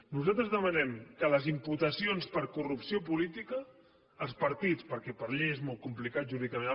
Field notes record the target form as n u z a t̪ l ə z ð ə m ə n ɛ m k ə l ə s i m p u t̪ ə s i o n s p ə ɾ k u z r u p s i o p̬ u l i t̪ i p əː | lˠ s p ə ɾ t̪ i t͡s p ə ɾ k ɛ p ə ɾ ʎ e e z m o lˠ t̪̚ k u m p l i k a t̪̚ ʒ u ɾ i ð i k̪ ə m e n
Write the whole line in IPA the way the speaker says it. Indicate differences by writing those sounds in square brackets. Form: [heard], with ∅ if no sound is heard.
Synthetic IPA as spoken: n u z a t̪ [ɾ] ə z ð ə m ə n ɛ m k ə l ə [z] i m p u t̪ ə s i o n s p ə ɾ k u [∅] r u p s i o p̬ u l i t̪ i [k] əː | lˠ s p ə ɾ t̪ i t͡s p ə ɾ k ɛ p ə ɾ ʎ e e z m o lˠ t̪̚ k u m p l i k a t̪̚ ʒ u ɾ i ð i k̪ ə m e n